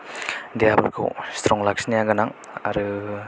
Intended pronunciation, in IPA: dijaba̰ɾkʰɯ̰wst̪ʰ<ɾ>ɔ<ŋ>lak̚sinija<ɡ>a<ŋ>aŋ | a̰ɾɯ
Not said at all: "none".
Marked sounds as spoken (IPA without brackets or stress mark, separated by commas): ɾ, ŋ, ɡ, n